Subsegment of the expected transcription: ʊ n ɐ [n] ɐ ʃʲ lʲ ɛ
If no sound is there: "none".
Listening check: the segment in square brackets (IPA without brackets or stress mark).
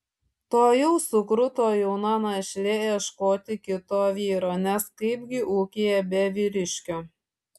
n